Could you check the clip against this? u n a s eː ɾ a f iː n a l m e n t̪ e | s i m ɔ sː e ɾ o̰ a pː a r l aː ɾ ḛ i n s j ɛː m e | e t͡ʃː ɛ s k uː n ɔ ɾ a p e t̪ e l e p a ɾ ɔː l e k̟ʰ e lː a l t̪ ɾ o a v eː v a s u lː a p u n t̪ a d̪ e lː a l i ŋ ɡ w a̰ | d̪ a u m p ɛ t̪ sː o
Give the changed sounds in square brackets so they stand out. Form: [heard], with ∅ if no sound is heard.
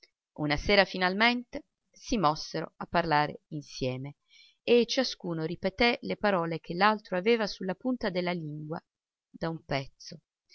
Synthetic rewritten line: u n a s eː ɾ a f [i] n a l m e n t̪ e | s i m ɔ sː e ɾ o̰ a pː a r l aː ɾ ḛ i n s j ɛː m e | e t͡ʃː [a] s k uː n [o] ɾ [i] p e t̪ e l e p a ɾ ɔː l e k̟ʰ e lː a l t̪ ɾ o a v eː v a s u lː a p u n t̪ a d̪ e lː a l i ŋ ɡ w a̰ | d̪ a u m p ɛ t̪ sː o

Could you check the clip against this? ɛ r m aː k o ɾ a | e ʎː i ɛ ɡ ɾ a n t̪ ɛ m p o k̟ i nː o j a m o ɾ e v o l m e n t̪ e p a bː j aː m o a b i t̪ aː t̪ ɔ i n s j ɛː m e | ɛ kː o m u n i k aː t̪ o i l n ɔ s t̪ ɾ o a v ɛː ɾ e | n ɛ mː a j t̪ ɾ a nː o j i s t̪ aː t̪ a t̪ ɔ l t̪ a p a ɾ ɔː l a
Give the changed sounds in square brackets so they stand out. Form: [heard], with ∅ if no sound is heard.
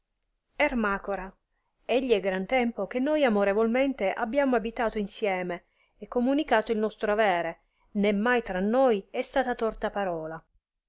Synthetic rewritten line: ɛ r m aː k o ɾ a | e ʎː i ɛ ɡ ɾ a n t̪ ɛ m p o k̟ [e] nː o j a m o ɾ e v o l m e n t̪ e [ʔ] a bː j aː m o a b i t̪ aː t̪ [o] i n s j ɛː m e | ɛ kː o m u n i k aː t̪ o i l n ɔ s t̪ ɾ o a v ɛː ɾ e | n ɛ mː a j t̪ ɾ a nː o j [ɛ] s t̪ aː t̪ a t̪ ɔ [r] t̪ a p a ɾ ɔː l a

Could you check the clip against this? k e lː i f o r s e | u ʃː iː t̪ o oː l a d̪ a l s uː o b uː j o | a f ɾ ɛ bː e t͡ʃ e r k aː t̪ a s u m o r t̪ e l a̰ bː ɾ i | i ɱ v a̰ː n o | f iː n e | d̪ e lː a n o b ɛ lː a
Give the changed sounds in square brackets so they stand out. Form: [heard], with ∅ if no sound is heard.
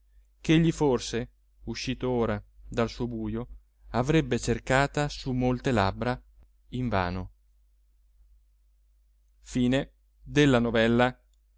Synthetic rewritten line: k e [ʎː] i f o r s e | u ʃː iː t̪ o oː [ɾ] a d̪ a l s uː o b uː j o | a [v] ɾ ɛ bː e t͡ʃ e r k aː t̪ a s u m o [l] t̪ e l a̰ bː ɾ [a] | i ɱ v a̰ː n o | f iː n e | d̪ e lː a n o [v] ɛ lː a

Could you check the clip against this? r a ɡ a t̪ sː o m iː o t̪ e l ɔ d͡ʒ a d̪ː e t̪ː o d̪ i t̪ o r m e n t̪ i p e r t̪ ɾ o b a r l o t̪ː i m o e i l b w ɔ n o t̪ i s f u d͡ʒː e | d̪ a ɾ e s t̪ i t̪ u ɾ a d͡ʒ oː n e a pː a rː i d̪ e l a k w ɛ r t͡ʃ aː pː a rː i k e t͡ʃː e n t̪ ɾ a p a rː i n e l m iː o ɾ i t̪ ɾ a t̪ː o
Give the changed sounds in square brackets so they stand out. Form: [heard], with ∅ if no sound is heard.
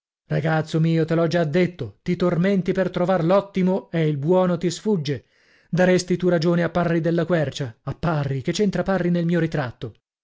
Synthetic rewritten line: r a ɡ a t̪ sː o m iː o t̪ e l ɔ d͡ʒ a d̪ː e t̪ː o [t̪] i t̪ o r m e n t̪ i p e r t̪ ɾ o [v] a r l [ɔ] t̪ː i m o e i l b w [ɔː] n o t̪ i s f u d͡ʒː e | d̪ a ɾ e s t̪ i t̪ u ɾ a d͡ʒ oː n e a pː a rː i d̪ e [lː] a k w ɛ r t͡ʃ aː pː a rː i k e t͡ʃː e n t̪ ɾ a p a rː i n e l m iː o ɾ i t̪ ɾ a t̪ː o

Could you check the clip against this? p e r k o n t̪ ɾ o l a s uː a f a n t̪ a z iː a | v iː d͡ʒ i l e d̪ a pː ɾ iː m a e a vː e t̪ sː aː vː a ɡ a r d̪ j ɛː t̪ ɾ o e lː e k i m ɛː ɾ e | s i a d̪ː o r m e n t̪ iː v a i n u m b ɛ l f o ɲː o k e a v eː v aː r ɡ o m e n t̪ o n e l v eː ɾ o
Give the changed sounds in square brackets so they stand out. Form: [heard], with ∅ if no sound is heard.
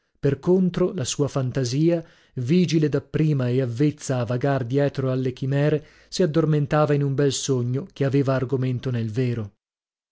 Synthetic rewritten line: p e r k o n t̪ ɾ o l a s uː a f a n t̪ a z iː a | v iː d͡ʒ i l e d̪ a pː ɾ iː m a e a vː e t̪ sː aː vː a ɡ a r d̪ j ɛː t̪ ɾ o [a] lː e k i m ɛː ɾ e | s i a d̪ː o r m e n t̪ [aː] v a i n u m b ɛ l [s] o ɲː o k e a v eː v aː r ɡ o m e n t̪ o n e l v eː ɾ o

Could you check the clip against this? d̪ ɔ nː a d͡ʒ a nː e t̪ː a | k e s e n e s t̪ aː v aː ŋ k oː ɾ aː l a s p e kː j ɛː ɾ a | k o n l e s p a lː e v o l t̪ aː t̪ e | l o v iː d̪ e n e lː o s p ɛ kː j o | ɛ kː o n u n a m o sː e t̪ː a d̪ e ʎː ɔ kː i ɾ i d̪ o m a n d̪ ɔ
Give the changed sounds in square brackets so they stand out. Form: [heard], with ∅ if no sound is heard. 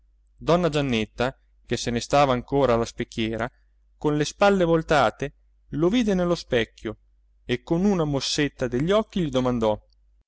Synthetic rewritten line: d̪ ɔ nː a d͡ʒ a nː e t̪ː a | k e s e n e s t̪ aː v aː ŋ k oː ɾ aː l a s p e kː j ɛː ɾ a | k o n l e s p a lː e v o l t̪ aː t̪ e | l o v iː d̪ e n e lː o s p ɛ kː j o | [e] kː o n u n a m o sː e t̪ː a d̪ e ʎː ɔ kː i [ʎ] i d̪ o m a n d̪ ɔ

